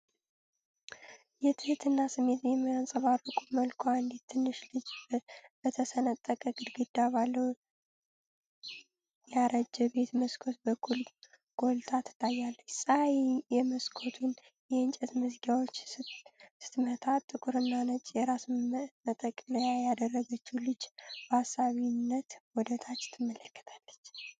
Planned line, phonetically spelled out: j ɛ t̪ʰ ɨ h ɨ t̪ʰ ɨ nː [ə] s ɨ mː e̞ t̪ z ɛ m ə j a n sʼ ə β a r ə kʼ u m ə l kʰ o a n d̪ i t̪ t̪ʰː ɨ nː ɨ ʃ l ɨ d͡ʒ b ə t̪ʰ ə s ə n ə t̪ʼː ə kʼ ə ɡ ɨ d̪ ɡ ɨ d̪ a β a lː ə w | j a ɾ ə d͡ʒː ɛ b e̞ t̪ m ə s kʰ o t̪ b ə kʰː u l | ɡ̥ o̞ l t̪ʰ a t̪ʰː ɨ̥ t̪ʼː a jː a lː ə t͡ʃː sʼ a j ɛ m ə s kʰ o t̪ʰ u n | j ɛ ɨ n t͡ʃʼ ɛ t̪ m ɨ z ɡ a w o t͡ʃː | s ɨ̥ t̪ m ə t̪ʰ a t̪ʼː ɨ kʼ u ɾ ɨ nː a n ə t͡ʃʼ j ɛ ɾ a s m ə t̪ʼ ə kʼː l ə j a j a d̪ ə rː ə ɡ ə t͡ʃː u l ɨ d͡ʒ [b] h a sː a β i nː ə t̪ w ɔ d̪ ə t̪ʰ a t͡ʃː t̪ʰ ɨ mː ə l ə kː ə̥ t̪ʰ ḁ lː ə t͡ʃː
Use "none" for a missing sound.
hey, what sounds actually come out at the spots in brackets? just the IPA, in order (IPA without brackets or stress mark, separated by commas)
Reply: a, b